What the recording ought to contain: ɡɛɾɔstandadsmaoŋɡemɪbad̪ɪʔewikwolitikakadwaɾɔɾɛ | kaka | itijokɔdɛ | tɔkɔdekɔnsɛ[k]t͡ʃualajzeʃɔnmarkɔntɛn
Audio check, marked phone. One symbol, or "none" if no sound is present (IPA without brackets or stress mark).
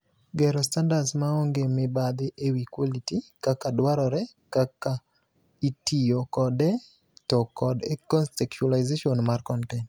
k